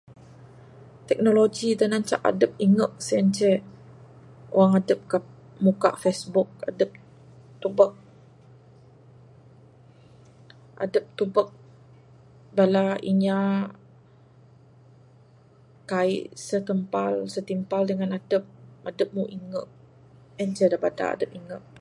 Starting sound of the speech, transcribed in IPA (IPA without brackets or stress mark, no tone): t̪